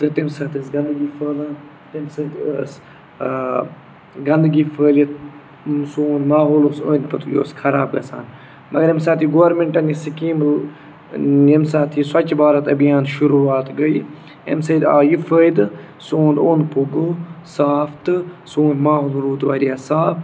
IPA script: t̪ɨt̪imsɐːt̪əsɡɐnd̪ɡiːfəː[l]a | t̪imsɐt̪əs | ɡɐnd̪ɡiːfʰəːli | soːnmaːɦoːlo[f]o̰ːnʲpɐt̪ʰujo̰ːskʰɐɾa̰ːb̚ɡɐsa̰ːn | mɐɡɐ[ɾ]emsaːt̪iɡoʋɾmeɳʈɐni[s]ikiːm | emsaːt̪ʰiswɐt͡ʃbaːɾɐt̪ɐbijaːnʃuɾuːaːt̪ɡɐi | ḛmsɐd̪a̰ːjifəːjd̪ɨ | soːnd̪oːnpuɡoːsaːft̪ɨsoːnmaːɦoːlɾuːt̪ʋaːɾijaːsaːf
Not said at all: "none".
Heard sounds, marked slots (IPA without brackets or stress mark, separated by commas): l, s, ɾ, s